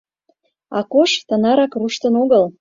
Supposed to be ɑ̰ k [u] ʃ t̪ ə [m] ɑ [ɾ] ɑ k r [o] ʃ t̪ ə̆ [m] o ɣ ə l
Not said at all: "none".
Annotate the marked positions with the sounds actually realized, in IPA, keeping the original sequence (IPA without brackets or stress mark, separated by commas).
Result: o, n, ɾ, u, n